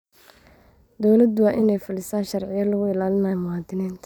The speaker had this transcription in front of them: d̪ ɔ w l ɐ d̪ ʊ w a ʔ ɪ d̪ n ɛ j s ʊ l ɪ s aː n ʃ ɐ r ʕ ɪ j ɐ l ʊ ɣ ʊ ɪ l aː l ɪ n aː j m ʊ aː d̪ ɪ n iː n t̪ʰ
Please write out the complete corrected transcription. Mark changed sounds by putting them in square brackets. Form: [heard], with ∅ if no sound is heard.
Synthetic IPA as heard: d̪ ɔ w l ɐ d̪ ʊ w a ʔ ɪ [∅] n ɛ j [f] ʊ l ɪ s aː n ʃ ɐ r ʕ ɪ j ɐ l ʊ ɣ ʊ ɪ l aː l ɪ n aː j m ʊ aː d̪ ɪ n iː n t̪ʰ